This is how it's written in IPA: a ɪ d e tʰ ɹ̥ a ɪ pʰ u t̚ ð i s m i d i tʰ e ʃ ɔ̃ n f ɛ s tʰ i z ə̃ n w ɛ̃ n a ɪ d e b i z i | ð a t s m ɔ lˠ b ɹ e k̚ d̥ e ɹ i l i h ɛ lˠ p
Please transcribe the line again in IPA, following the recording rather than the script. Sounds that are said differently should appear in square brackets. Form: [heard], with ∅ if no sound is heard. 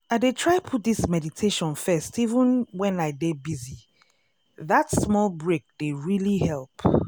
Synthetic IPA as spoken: a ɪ d e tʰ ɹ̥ a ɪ pʰ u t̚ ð i s m [ɛ] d i tʰ e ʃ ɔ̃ n f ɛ s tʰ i [v] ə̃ n w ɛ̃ n a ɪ d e b i z i | ð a t s m ɔ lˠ b ɹ e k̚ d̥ e ɹ i l i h ɛ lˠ p